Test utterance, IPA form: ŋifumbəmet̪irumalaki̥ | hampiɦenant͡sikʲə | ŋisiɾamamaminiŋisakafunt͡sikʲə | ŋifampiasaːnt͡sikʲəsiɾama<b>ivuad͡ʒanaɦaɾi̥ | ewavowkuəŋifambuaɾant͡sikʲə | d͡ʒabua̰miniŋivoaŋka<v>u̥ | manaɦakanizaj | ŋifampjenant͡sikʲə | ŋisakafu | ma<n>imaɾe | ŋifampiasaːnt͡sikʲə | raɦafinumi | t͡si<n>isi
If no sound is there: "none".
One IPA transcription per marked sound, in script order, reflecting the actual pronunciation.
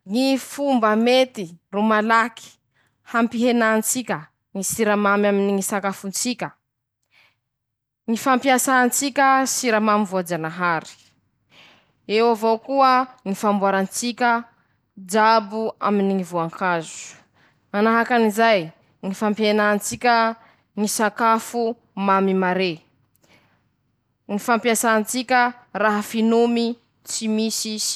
m, z, m, m

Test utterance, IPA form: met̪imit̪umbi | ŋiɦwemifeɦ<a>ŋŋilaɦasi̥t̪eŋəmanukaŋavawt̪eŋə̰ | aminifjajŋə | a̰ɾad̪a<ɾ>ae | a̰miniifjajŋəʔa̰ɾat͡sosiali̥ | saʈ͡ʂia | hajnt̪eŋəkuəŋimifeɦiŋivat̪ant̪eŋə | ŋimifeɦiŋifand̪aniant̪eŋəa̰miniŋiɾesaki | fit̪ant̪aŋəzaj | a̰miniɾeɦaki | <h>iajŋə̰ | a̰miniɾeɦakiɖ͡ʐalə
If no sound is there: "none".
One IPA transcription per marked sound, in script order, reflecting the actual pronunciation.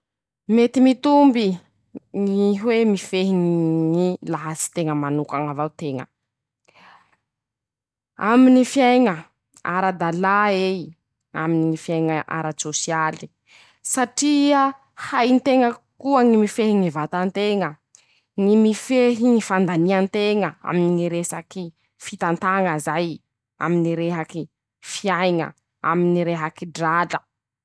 i, l, f

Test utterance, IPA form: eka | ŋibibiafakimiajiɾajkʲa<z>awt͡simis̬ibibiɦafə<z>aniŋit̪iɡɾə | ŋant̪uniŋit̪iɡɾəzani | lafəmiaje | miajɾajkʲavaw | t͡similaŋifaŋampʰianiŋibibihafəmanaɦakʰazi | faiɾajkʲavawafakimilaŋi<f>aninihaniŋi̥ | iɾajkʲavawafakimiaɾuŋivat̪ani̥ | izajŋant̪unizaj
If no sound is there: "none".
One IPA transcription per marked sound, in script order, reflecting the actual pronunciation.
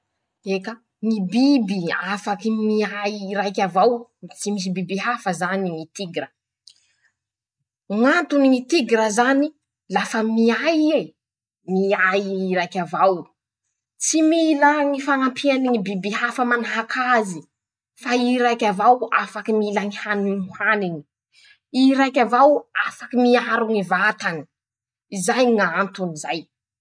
v, z, h

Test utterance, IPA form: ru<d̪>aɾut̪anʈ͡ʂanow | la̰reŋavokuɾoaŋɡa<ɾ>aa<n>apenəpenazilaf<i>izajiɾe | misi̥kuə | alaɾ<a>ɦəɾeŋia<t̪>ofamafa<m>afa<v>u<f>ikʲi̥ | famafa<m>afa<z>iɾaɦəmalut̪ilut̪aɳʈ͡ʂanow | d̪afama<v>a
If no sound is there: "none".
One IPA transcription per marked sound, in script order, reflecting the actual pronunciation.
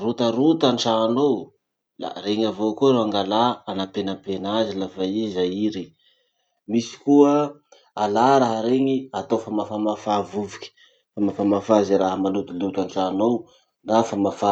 t̪, l, n, a, a, t̪, m, v, v, m, z, f

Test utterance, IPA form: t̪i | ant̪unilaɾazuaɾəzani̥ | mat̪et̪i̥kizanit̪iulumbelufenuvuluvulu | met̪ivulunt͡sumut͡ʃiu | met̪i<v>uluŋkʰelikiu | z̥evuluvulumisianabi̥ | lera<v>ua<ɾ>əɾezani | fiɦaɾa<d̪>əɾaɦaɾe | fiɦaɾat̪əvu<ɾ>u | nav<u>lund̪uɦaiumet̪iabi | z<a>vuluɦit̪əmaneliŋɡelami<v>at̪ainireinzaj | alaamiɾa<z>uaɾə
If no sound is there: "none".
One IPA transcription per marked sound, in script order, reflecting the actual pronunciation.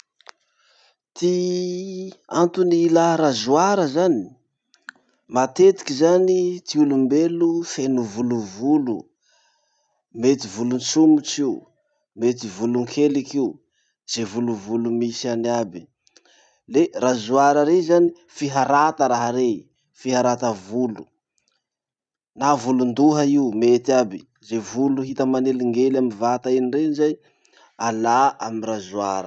v, z, ɾ, t̪, l, u, e, v, z

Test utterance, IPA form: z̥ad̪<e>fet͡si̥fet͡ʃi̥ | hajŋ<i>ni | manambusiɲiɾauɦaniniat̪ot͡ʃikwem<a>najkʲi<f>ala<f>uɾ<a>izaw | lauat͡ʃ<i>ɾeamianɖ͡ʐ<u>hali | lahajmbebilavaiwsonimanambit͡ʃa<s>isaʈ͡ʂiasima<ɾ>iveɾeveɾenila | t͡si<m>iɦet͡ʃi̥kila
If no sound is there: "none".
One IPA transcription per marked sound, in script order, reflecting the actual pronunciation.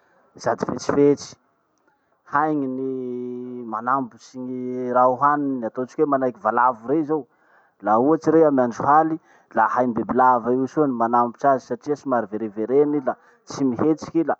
i, i, a, v, v, e, i, u, z, ɾ, m

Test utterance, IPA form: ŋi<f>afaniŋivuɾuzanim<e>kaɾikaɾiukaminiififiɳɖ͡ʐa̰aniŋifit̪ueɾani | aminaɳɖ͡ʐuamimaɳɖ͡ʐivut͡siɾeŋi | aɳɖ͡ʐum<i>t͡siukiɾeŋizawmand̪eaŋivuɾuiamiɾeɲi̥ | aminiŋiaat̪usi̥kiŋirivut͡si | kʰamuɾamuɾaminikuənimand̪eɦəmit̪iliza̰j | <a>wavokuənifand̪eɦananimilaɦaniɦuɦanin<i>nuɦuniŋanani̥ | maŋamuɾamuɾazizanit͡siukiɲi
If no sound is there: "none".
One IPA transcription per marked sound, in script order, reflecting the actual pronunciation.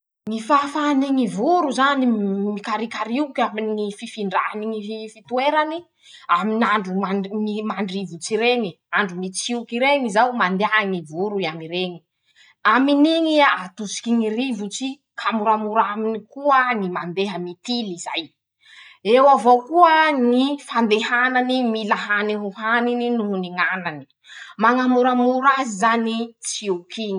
f, i, i, e, i

